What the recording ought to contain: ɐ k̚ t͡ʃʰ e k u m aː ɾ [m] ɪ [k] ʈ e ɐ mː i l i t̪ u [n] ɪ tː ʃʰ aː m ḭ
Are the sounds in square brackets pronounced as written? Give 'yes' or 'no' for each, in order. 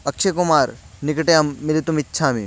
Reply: no, yes, no

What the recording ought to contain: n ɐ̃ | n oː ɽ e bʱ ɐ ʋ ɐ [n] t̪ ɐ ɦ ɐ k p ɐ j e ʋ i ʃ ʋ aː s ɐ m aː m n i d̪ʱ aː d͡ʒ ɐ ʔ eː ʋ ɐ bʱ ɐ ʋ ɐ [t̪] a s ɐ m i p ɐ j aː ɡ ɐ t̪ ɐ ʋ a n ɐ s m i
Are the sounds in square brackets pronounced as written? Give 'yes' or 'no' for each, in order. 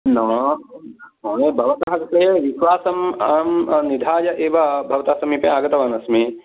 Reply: no, yes

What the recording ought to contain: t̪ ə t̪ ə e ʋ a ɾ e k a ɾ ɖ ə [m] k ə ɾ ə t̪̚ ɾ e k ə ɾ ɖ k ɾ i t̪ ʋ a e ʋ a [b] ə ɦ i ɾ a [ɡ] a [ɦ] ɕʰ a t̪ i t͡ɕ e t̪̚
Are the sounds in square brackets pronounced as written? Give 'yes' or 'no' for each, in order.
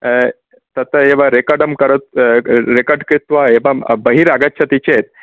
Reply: yes, yes, yes, no

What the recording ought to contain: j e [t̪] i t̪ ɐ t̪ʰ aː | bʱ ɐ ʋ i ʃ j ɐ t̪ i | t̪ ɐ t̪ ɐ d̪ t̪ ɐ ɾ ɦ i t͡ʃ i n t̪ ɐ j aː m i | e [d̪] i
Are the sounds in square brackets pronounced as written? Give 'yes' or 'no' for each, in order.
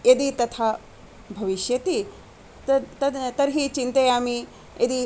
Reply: no, yes

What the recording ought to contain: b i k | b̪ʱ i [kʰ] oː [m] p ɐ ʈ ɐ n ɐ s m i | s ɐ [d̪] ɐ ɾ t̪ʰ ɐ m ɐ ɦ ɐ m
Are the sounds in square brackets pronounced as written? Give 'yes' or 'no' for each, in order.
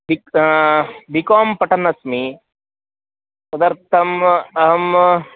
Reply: no, yes, yes

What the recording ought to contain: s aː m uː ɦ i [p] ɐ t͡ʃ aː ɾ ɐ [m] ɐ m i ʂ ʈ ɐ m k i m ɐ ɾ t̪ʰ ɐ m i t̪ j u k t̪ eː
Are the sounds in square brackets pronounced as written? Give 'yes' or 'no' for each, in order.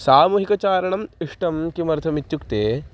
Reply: no, no

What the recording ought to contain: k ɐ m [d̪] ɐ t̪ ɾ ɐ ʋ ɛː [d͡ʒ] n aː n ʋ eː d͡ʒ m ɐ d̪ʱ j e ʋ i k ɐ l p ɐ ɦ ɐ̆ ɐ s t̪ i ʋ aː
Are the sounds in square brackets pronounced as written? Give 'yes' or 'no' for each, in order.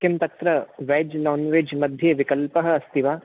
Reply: no, yes

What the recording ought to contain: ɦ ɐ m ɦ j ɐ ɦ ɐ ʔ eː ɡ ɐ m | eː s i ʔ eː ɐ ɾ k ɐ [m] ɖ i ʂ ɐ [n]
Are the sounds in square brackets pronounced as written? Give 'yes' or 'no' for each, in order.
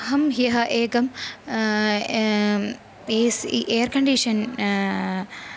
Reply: no, yes

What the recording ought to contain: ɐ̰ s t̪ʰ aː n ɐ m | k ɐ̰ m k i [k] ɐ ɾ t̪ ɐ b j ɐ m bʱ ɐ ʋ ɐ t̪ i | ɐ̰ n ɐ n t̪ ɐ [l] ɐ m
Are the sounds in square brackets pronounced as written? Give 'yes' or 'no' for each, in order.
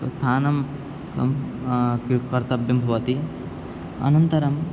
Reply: yes, no

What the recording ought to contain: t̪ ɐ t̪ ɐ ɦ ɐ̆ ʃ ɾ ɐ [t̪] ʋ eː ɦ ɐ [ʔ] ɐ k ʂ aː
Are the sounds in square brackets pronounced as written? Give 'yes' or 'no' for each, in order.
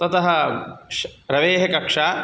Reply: no, no

